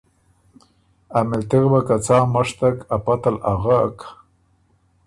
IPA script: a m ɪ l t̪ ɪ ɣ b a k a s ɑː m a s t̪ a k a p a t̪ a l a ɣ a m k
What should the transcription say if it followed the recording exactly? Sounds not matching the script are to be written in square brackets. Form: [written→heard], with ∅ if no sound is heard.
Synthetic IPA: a m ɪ l t̪ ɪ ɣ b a k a [s→t͡s] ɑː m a [s→ʂ] t̪ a k a p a t̪ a l a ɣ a [m→∅] k